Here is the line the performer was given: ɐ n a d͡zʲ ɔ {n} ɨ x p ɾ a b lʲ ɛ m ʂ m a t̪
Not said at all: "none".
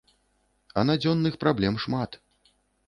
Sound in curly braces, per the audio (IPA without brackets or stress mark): nː